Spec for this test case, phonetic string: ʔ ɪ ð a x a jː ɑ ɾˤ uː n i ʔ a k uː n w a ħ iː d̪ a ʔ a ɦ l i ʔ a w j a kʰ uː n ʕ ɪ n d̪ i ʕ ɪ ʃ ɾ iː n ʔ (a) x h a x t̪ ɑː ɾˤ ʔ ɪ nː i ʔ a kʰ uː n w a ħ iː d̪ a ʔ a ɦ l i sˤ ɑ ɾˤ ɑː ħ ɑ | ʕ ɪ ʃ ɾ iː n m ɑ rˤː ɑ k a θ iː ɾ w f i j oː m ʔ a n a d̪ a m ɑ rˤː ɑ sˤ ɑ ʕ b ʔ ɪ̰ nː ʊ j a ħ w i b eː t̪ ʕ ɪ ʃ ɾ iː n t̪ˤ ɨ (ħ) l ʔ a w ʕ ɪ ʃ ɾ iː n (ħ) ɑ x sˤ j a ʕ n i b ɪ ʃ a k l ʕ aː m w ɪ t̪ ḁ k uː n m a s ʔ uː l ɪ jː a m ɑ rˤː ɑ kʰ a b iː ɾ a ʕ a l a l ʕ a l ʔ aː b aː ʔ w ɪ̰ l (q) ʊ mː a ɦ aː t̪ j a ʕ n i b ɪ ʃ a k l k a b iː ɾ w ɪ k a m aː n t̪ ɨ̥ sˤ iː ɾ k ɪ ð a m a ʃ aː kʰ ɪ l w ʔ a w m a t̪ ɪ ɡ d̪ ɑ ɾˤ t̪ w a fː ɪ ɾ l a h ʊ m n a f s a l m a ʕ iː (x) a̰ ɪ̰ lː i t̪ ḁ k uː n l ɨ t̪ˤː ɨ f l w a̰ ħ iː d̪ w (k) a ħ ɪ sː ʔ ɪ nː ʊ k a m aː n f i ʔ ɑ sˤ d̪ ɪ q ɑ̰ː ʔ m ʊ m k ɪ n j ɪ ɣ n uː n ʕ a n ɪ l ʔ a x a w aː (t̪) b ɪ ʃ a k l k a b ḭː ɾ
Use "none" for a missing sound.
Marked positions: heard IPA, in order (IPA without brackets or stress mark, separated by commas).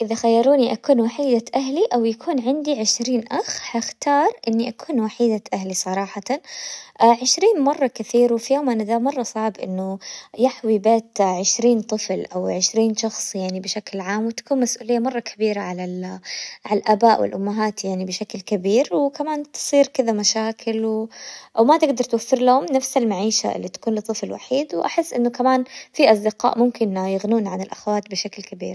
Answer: a, f, ʃ, ʔ, ʃ, ʔ, t̪